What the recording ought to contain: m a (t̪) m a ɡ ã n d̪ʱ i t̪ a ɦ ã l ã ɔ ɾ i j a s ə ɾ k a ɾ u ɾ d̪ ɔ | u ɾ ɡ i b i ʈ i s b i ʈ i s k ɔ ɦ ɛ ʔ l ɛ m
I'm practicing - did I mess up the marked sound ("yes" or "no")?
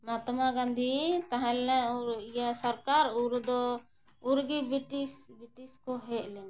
no